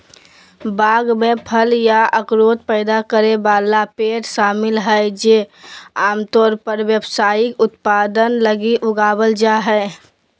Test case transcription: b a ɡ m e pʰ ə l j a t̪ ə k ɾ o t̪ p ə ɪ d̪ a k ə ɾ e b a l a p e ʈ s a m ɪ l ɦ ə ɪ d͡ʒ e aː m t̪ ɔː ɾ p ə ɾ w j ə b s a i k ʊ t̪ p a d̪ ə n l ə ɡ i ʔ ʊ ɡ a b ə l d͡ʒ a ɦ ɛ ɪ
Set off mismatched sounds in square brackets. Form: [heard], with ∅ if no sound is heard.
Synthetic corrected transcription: b a ɡ m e pʰ ə l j a [∅] ə k ɾ o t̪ p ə ɪ d̪ a k ə ɾ e b a l a p e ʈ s a m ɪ l ɦ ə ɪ d͡ʒ e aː m t̪ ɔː ɾ p ə ɾ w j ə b s a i k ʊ t̪ p a d̪ ə n l ə ɡ i ʔ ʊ ɡ a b ə l d͡ʒ a ɦ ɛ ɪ